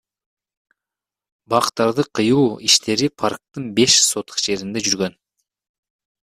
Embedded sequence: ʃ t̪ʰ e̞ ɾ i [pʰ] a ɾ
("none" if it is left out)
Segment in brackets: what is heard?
pʰ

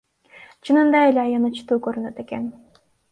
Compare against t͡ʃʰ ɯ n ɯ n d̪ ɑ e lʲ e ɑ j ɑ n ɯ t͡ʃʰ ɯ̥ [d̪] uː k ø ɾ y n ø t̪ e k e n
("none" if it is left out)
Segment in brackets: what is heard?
t̪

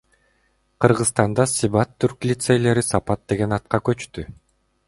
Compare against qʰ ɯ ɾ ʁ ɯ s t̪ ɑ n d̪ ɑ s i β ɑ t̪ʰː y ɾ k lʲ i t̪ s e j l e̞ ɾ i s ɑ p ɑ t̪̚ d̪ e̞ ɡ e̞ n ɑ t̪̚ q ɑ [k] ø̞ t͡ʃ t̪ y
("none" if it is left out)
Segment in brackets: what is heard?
k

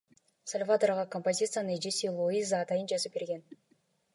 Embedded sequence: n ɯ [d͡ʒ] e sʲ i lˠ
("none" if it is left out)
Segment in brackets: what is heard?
d͡ʒ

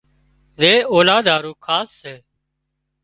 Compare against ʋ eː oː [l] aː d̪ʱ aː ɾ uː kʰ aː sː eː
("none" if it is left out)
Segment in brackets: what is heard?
l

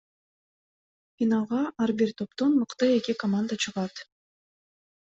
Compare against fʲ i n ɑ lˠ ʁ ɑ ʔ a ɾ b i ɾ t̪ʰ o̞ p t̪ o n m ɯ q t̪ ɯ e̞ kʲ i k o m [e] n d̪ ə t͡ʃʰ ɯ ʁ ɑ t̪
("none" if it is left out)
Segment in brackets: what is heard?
a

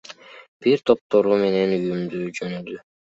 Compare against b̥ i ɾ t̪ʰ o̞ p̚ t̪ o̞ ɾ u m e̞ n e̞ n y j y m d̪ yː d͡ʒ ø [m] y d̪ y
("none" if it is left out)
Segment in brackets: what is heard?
n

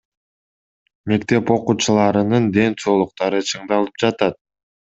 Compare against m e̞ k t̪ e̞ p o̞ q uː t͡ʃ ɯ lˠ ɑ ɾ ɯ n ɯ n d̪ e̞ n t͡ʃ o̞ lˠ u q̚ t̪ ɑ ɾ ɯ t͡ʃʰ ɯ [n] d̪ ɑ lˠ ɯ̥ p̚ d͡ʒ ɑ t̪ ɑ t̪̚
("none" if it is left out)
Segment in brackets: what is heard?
ɴ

